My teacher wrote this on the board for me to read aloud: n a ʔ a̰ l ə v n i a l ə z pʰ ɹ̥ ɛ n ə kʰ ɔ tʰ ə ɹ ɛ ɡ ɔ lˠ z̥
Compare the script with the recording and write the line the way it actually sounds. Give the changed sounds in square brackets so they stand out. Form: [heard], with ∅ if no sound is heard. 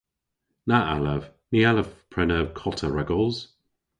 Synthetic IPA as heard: n a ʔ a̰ l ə v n i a l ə [v] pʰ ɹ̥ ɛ n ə kʰ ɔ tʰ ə ɹ ɛ ɡ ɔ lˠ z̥